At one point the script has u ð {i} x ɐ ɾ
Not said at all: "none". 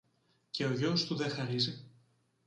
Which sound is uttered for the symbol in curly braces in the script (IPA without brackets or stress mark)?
e